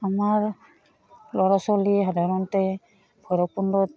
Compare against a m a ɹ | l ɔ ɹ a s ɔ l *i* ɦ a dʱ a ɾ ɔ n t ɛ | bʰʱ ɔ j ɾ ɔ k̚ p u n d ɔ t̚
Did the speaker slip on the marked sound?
no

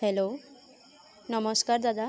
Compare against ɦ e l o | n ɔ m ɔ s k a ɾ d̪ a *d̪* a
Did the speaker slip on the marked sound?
no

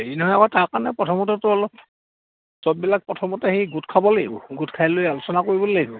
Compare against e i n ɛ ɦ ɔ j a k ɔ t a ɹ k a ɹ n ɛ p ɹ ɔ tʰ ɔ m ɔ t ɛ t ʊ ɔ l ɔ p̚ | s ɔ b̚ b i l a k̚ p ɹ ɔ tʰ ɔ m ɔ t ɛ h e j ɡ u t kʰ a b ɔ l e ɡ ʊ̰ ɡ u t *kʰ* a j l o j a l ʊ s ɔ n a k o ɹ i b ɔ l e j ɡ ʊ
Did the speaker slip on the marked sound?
no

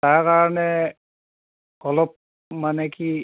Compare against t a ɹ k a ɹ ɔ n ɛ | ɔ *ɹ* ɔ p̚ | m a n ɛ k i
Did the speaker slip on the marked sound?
yes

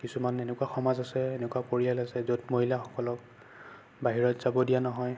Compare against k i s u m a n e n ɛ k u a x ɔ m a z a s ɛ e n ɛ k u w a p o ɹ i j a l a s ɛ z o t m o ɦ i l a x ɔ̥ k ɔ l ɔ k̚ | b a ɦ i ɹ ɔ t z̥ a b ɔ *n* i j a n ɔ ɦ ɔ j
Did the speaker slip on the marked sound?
yes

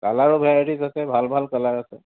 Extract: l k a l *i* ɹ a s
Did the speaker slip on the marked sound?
yes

